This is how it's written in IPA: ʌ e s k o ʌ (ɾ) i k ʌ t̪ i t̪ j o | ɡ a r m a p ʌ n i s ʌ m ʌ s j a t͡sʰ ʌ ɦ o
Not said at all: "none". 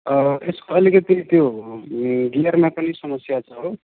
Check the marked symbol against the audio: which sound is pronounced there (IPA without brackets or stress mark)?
l